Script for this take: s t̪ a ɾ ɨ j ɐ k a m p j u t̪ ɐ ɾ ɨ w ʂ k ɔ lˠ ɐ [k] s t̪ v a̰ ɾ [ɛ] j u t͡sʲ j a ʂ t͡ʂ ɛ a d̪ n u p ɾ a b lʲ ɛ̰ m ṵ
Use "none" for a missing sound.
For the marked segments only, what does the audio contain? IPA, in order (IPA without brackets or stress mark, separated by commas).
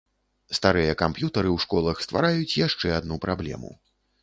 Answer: x, a